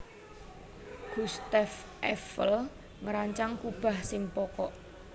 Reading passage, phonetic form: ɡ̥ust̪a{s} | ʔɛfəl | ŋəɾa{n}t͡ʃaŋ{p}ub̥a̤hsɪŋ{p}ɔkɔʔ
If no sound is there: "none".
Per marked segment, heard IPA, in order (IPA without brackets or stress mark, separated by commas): f, ɲ, k, p